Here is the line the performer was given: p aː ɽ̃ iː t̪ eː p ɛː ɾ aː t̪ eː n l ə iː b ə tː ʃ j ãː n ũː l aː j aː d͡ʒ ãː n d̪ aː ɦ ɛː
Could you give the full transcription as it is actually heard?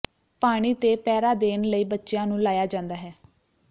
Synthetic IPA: p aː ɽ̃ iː t̪ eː p ɛː ɾ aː d̪ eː n l ə iː b ə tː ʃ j ãː n ũː l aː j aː d͡ʒ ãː n d̪ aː ɦ ɛː